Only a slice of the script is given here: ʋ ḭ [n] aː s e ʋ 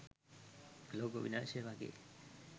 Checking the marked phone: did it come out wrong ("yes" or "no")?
no